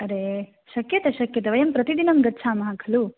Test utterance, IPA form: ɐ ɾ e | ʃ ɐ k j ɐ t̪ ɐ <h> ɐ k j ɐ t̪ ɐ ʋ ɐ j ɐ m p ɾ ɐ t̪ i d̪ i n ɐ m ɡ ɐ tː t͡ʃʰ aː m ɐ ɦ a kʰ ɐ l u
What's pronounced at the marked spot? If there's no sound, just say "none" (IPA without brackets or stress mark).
ʃ